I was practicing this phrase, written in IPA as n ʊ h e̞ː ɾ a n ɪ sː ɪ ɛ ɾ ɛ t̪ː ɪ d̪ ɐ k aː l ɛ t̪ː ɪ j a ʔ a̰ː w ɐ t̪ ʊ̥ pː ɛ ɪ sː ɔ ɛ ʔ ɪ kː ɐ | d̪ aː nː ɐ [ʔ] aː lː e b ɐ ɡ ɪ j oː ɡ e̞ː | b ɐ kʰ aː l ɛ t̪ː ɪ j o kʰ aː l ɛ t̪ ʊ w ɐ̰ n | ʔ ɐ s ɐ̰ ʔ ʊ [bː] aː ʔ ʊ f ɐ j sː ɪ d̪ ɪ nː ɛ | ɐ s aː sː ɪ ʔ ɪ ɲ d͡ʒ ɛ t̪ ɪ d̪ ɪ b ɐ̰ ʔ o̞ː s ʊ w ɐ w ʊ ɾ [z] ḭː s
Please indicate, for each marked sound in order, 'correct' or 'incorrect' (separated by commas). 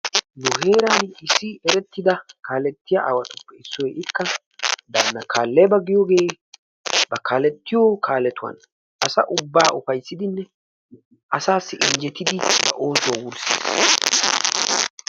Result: incorrect, correct, incorrect